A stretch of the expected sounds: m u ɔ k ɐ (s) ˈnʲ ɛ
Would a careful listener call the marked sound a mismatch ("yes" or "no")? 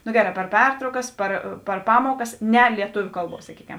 no